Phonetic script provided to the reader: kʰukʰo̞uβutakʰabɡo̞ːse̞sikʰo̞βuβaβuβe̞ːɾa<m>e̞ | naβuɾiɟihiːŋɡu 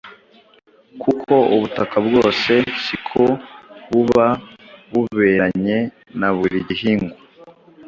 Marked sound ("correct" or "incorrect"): incorrect